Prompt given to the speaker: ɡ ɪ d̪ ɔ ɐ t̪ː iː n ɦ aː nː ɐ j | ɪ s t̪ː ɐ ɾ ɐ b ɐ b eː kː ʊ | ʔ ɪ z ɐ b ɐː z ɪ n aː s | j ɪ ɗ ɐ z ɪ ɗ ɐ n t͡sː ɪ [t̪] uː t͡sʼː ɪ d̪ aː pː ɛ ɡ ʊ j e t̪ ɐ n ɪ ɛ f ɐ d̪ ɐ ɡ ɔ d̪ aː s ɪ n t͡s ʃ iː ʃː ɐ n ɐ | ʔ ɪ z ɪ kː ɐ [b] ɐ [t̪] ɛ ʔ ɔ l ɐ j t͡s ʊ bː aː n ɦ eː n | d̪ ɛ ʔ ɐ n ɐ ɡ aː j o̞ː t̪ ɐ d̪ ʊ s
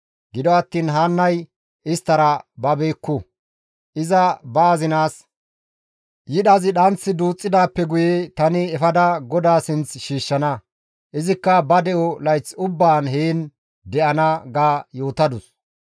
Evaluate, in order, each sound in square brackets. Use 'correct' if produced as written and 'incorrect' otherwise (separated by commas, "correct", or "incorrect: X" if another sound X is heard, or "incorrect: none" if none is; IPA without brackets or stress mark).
incorrect: d̪, correct, incorrect: d̪